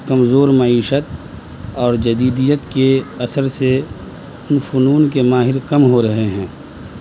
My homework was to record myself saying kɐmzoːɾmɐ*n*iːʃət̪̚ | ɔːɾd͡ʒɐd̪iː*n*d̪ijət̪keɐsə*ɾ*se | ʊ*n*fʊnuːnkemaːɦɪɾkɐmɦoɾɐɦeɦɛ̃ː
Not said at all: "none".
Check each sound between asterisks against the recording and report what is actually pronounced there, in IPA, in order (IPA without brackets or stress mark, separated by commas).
none, none, ɾ, n